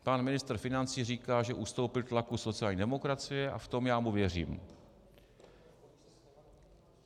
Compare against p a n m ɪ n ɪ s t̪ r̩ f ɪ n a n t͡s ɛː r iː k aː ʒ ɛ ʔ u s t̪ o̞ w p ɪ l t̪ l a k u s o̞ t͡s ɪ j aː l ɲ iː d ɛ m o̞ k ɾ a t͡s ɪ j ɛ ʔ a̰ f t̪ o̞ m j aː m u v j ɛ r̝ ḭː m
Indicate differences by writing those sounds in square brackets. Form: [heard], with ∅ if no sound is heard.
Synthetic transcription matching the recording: p a n m ɪ n ɪ s t̪ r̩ f ɪ n a n t͡s [iː] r iː k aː ʒ ɛ ʔ u s t̪ o̞ w p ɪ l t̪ l a k u s o̞ t͡s ɪ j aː l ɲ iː d ɛ m o̞ k ɾ a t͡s ɪ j ɛ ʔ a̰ f t̪ o̞ m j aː m u v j ɛ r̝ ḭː m